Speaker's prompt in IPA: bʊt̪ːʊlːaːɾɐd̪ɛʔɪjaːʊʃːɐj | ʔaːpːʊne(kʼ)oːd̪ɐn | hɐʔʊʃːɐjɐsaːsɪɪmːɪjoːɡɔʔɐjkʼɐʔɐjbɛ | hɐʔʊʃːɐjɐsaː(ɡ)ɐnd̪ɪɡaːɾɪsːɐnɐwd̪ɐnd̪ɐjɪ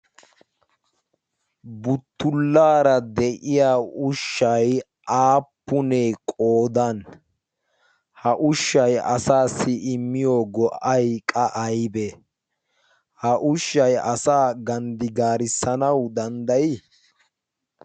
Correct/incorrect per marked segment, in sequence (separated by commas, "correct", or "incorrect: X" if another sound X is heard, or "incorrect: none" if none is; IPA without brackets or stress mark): correct, correct